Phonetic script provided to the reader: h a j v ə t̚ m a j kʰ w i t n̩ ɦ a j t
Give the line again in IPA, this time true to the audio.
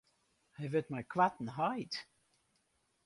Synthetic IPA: h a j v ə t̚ m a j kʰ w a t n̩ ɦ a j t